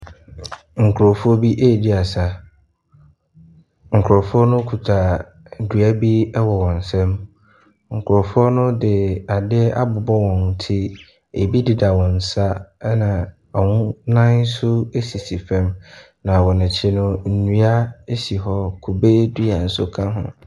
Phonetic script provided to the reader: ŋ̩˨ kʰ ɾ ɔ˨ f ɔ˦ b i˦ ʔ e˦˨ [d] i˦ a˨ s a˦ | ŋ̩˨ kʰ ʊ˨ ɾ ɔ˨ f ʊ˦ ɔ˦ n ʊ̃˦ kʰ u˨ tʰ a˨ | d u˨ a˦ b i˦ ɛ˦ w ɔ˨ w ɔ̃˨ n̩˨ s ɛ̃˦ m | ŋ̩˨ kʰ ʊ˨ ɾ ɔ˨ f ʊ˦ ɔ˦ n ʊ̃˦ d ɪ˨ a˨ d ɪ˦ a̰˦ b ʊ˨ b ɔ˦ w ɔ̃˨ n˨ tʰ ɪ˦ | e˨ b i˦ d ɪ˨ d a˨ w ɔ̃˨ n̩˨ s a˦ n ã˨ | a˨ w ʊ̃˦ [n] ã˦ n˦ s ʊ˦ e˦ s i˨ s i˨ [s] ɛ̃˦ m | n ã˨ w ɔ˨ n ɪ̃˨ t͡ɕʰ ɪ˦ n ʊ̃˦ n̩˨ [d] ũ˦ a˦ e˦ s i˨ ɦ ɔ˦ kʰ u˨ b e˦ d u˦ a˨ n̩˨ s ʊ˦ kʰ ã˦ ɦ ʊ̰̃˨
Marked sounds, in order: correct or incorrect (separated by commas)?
correct, correct, incorrect, incorrect